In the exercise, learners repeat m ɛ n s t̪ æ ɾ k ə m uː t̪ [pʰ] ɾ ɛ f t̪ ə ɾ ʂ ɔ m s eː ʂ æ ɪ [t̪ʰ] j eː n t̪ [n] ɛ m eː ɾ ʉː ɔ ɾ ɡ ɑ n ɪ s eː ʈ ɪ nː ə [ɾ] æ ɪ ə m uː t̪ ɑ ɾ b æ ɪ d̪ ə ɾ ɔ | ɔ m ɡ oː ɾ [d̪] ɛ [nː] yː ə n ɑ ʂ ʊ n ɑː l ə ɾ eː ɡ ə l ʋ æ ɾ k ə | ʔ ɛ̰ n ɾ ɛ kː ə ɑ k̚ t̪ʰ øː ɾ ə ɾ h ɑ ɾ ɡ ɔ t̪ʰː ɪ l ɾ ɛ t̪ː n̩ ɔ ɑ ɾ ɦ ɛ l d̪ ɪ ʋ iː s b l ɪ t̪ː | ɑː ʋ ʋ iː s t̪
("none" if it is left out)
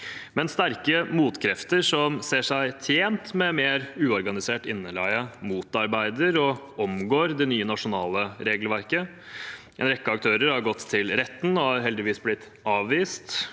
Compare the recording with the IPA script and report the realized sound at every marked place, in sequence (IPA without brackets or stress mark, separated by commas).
kʰ, t̪ʰ, m, l, d̪, n